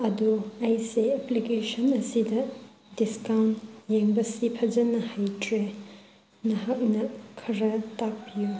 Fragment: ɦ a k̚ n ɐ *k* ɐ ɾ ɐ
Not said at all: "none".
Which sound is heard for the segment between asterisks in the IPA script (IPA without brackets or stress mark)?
kʰ